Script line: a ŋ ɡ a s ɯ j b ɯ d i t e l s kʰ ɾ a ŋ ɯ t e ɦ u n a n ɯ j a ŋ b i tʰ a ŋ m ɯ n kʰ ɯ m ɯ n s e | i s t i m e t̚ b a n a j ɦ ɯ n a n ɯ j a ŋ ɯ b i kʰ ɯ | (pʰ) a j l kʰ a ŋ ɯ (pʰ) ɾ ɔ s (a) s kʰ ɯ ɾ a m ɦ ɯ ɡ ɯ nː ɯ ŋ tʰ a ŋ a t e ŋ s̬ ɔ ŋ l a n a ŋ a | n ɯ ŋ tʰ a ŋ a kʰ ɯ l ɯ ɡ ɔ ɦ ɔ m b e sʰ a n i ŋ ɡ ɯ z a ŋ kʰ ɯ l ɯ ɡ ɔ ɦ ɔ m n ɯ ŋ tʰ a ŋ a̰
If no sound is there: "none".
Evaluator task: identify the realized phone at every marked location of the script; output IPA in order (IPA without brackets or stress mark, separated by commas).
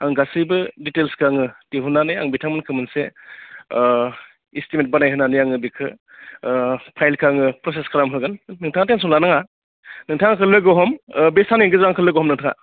pʰ, p, e